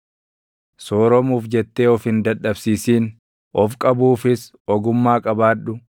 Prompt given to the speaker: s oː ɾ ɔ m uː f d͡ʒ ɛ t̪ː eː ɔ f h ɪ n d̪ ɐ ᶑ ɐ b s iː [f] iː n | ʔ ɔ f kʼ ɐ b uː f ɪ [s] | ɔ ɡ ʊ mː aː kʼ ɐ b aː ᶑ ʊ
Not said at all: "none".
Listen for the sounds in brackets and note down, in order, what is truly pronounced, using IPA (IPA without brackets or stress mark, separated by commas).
s, s